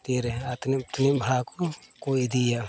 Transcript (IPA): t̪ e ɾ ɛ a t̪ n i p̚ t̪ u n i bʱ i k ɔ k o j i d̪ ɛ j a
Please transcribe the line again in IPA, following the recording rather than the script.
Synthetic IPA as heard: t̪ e ɾ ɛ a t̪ n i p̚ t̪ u n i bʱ a k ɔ k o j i d̪ i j a